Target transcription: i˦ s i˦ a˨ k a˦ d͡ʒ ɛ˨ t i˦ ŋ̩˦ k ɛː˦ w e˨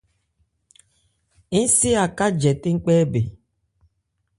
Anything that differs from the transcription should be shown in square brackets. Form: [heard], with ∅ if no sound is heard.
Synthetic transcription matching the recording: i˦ s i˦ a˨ k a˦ d͡ʒ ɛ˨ t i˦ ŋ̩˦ [k͡p] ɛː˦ [b] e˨